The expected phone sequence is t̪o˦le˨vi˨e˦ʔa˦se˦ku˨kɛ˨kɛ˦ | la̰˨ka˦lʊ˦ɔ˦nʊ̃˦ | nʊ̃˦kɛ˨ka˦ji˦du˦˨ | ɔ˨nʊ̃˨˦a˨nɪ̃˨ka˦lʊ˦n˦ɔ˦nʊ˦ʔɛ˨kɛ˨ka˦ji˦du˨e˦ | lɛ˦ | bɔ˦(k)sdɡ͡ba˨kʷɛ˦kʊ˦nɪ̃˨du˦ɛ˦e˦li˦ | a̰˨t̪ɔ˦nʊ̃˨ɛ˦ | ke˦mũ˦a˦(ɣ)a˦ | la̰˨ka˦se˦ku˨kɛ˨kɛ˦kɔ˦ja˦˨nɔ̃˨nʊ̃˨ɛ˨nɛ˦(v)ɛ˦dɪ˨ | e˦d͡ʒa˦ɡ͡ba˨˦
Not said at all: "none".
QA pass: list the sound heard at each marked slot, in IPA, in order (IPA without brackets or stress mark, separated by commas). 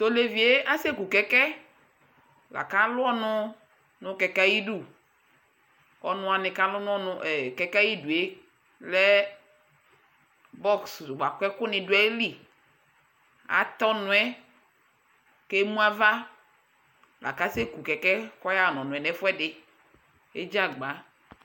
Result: k, v, f